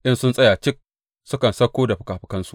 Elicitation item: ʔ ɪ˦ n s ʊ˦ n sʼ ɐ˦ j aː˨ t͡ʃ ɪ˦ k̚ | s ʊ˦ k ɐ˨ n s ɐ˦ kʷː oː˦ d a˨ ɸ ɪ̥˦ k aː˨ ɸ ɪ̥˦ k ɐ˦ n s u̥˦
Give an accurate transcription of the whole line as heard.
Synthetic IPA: ʔ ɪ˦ n s ʊ˦ n sʼ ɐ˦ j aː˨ t͡ʃ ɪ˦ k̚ | s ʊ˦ k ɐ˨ n s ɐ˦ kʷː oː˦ d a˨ ɸ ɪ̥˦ k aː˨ ɸ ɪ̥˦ k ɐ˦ n s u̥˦